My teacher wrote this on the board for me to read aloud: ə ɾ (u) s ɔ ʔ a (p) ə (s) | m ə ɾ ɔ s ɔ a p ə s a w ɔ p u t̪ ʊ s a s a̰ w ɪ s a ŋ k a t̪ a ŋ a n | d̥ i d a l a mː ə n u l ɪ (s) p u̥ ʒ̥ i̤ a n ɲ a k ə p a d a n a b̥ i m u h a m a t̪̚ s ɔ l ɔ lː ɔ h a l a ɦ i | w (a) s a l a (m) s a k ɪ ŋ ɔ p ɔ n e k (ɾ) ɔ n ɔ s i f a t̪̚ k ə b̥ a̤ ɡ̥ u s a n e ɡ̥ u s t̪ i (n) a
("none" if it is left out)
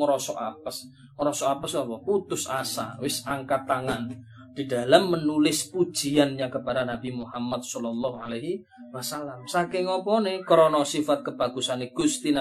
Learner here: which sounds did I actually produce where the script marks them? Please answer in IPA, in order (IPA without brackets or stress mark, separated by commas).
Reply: ɔ, p, s, s, a, m, ɾ, n